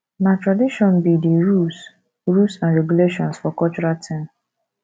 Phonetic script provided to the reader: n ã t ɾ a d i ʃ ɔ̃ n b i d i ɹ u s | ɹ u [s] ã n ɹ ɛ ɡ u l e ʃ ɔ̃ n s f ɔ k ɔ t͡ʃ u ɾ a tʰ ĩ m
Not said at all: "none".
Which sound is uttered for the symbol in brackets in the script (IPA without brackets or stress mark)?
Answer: s